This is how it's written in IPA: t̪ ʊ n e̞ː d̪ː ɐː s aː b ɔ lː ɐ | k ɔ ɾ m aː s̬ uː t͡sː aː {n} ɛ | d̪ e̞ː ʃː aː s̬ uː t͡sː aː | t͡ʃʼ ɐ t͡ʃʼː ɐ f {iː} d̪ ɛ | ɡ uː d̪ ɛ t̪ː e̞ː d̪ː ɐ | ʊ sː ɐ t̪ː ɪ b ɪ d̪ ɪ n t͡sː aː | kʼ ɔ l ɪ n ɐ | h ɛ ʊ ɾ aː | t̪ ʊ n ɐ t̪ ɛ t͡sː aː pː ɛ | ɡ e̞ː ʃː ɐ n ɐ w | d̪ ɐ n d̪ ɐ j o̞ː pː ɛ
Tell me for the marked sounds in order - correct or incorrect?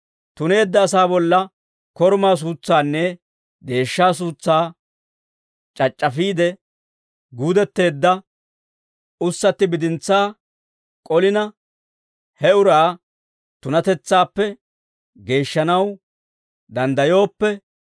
incorrect, correct

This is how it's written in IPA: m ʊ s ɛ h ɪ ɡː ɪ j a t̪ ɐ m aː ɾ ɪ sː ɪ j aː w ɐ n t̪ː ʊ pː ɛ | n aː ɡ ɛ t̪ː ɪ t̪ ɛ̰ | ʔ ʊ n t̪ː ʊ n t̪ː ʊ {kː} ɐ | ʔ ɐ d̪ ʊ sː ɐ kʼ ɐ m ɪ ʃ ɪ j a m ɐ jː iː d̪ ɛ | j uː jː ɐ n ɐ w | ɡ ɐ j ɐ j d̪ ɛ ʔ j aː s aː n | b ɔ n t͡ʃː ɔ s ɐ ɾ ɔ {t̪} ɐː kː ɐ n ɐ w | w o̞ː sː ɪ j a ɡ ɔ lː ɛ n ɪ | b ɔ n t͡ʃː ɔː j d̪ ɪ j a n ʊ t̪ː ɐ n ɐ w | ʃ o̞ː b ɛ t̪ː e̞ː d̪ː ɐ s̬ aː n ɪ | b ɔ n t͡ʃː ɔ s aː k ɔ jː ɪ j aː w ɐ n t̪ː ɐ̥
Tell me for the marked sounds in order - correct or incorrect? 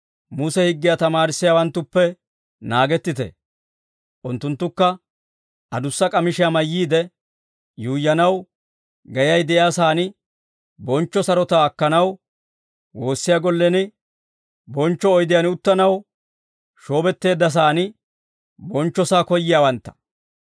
correct, correct

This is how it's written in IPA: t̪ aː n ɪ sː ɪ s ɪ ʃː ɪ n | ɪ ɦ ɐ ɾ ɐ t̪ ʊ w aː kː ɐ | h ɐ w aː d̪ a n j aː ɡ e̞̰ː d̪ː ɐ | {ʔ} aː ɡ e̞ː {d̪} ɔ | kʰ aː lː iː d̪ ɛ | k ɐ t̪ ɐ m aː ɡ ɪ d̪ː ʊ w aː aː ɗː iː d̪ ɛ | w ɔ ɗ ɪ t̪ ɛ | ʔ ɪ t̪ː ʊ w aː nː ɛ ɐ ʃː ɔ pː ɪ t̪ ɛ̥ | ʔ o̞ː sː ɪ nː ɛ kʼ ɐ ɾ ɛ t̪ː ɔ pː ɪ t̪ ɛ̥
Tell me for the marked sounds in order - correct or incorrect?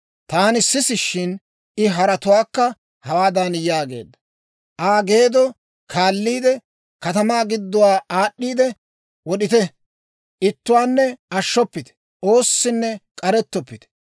correct, correct

